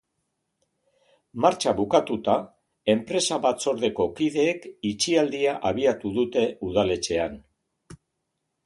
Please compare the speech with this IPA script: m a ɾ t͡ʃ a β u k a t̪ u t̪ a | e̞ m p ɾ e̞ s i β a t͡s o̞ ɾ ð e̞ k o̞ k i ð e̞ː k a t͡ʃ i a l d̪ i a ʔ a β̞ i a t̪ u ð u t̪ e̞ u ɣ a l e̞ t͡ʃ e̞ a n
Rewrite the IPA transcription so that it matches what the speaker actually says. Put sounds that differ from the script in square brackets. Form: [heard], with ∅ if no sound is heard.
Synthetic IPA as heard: m a ɾ t͡ʃ a β u k a t̪ u t̪ a | e̞ m p ɾ e̞ s [a] β a t͡s o̞ ɾ ð e̞ k o̞ k i ð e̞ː k [i] t͡ʃ i a l d̪ i a ʔ a β̞ i a t̪ u ð u t̪ e̞ u [ð] a l e̞ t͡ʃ e̞ a n